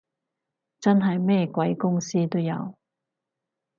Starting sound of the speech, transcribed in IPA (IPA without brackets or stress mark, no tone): t͡s